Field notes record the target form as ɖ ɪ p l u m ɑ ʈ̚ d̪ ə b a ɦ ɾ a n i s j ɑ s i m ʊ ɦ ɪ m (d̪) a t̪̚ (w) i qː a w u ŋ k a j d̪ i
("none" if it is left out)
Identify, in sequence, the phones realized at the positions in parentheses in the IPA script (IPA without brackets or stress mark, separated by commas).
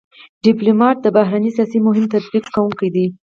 t̪, b